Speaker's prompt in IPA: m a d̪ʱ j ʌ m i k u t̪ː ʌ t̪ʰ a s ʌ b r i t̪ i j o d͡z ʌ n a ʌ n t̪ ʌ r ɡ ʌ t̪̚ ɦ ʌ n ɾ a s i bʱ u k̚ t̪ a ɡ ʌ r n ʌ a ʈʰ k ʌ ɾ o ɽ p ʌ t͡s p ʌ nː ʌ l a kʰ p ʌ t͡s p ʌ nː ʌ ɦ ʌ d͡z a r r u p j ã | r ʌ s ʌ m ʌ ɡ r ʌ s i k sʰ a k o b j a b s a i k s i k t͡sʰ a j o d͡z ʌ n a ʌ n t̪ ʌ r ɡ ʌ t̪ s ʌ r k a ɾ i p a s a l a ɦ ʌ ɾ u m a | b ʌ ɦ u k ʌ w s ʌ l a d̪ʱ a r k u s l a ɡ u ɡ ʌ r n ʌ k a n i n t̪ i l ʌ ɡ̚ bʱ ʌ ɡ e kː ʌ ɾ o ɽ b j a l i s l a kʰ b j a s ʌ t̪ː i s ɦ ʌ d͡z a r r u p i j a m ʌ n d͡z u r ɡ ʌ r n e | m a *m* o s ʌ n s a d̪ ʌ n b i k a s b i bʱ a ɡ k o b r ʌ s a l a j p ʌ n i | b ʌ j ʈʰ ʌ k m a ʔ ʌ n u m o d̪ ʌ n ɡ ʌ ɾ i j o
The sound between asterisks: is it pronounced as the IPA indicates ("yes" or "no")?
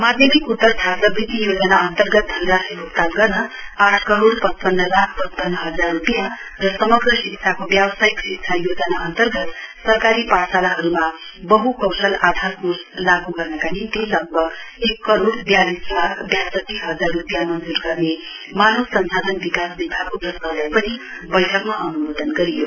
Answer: no